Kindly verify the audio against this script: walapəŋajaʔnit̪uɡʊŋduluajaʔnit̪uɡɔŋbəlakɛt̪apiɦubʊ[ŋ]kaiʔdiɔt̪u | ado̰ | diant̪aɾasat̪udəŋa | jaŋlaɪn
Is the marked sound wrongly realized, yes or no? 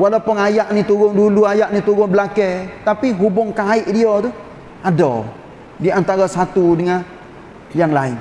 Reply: no